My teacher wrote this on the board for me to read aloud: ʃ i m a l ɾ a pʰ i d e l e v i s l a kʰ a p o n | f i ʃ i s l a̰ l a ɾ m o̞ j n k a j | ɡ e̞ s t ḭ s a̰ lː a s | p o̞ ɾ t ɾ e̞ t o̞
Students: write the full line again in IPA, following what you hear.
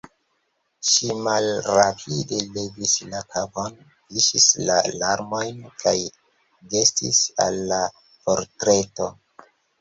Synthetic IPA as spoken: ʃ i m a l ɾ a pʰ i d e l e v i s l a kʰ a p o n | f i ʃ i s l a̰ l a ɾ m o̞ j n k a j | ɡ e̞ s t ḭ s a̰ lː a | p o̞ ɾ t ɾ e̞ t o̞